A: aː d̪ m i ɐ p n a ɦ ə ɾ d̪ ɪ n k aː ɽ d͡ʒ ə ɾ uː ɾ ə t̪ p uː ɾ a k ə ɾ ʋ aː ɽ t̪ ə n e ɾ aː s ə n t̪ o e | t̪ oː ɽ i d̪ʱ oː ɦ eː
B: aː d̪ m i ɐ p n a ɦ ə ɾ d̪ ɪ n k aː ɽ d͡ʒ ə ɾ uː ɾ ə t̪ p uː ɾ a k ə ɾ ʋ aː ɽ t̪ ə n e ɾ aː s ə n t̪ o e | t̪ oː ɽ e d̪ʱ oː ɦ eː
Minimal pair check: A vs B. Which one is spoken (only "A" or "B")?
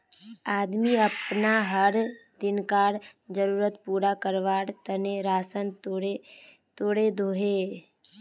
B